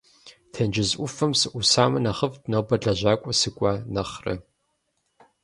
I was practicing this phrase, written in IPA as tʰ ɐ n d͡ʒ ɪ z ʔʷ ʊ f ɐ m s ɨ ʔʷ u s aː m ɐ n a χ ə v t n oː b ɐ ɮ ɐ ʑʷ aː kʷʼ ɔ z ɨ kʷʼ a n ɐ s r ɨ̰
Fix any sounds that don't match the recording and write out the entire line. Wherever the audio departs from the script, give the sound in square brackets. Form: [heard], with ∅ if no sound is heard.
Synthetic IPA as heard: tʰ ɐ n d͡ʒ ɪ z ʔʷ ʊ f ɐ m s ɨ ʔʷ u s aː m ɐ n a χ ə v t n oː b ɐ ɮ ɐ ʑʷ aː kʷʼ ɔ [s] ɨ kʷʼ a n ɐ [χ] r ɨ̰